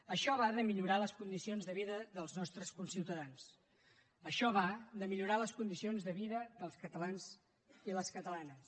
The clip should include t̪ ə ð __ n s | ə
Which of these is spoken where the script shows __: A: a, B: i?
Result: A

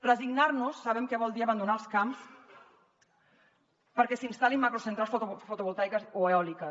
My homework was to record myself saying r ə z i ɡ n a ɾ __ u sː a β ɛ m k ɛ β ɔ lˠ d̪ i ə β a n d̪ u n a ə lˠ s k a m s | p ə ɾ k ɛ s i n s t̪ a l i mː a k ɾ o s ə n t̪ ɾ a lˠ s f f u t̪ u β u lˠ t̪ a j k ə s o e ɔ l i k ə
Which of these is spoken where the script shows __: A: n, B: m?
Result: A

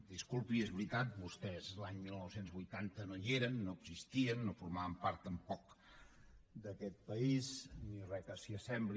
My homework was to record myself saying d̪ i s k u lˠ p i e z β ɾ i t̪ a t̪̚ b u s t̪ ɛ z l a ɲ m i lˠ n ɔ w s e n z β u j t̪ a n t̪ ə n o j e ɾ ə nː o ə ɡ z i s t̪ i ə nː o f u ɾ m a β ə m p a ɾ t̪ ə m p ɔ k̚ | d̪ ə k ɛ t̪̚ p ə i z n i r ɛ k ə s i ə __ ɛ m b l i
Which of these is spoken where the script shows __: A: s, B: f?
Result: A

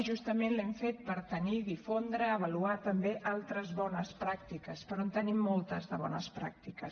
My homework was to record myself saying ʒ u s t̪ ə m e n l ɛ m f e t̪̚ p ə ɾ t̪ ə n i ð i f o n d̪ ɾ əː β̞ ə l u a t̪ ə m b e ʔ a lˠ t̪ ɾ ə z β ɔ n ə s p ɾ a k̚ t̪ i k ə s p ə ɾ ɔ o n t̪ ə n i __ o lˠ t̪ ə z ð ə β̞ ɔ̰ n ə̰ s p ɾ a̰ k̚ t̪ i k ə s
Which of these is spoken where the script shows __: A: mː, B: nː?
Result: A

